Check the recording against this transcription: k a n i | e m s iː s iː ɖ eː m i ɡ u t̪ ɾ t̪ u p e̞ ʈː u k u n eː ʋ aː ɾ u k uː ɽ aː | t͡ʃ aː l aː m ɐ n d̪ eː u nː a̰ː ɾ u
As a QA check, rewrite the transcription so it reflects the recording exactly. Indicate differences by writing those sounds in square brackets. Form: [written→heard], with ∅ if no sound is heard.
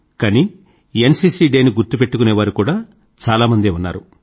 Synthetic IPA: k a n i | e [m→n] s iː s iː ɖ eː [m→n] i ɡ u [t̪→∅] ɾ t̪ u p e̞ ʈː u k u n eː ʋ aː ɾ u k uː ɽ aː | t͡ʃ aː l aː m ɐ n d̪ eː u nː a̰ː ɾ u